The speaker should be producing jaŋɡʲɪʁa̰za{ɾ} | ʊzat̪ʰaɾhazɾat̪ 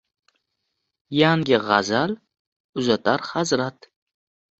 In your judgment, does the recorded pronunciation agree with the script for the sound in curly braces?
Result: no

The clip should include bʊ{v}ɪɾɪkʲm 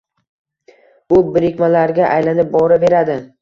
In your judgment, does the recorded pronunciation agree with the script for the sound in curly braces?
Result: no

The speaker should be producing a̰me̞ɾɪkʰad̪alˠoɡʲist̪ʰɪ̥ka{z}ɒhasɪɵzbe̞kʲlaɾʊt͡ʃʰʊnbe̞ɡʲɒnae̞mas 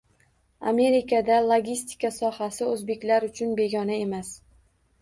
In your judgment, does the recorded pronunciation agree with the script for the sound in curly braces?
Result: no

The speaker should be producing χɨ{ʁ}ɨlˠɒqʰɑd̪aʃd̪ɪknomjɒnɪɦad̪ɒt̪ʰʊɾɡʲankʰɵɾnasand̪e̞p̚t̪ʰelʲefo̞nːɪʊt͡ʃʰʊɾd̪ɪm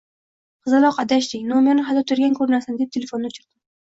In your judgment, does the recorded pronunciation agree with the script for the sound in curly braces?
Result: no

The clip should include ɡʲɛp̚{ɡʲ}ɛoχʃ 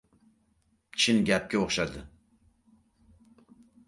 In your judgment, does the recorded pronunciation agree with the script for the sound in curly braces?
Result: no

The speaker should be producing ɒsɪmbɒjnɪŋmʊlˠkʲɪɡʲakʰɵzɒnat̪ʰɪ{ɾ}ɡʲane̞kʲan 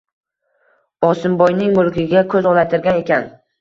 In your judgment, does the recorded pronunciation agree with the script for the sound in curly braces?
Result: yes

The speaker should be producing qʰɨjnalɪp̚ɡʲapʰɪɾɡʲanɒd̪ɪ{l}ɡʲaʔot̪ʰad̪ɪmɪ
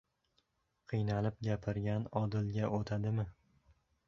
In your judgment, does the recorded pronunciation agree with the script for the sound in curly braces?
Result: yes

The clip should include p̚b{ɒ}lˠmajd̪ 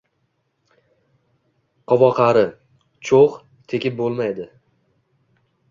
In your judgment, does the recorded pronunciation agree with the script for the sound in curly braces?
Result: no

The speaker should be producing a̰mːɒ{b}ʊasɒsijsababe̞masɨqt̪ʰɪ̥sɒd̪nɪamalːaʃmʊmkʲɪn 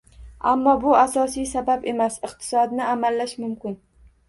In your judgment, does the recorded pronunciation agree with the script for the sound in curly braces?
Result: yes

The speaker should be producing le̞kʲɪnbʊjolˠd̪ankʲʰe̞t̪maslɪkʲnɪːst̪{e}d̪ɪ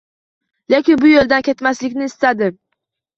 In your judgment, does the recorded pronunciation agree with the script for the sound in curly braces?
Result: no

